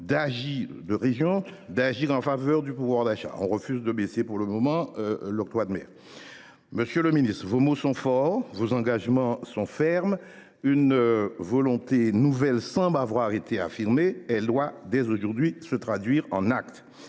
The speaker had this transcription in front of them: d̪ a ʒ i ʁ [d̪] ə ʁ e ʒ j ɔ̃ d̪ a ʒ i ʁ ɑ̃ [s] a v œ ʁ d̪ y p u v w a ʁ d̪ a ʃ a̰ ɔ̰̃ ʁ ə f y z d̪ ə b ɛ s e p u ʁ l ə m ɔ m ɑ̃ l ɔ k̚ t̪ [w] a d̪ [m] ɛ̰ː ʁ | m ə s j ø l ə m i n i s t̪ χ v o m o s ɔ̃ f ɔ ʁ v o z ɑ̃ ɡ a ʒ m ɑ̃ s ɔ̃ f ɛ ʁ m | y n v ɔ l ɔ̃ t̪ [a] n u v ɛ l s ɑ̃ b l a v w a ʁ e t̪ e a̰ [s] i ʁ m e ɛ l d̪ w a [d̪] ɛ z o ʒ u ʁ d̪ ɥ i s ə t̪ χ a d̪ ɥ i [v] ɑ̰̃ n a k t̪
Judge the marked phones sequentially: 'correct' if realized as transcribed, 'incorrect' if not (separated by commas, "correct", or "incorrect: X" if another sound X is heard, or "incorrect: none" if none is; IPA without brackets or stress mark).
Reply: correct, incorrect: f, correct, correct, incorrect: e, incorrect: f, correct, incorrect: ʁ